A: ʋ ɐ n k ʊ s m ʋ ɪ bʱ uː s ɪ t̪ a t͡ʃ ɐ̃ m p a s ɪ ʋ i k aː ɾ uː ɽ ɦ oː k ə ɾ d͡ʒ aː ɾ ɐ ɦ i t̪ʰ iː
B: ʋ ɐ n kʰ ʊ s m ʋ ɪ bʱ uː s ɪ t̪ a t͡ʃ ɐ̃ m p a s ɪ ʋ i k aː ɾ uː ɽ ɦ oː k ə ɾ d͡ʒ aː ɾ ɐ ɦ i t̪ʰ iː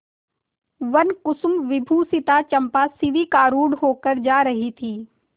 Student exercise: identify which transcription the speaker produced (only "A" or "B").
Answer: A